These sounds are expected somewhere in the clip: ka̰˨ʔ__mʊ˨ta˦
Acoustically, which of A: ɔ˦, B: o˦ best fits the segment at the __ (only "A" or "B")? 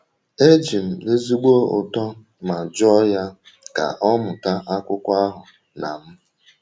A